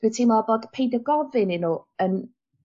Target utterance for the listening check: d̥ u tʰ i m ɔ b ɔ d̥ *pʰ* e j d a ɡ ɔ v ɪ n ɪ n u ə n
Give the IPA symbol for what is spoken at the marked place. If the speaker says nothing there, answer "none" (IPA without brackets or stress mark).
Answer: pʰ